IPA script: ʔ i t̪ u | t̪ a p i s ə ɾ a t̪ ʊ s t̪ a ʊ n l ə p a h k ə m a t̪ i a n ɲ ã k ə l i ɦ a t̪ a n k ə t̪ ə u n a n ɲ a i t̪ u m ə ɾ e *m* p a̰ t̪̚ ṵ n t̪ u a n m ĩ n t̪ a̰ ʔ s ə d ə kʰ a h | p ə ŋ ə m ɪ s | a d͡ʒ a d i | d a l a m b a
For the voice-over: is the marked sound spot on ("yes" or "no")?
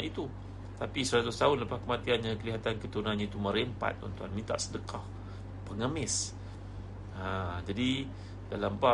yes